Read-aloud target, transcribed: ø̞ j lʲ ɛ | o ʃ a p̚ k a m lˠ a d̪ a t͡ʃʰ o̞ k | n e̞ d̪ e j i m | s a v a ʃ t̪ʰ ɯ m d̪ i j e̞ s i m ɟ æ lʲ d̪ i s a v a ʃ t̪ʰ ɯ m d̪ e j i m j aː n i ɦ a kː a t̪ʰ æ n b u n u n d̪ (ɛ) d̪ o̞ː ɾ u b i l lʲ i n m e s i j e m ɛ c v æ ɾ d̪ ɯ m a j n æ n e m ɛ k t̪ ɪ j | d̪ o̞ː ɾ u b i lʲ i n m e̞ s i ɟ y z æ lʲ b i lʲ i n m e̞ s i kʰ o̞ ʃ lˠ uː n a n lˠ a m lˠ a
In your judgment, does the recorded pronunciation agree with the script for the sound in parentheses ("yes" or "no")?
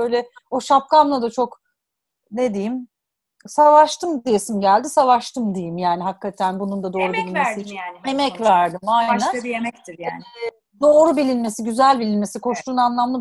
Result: no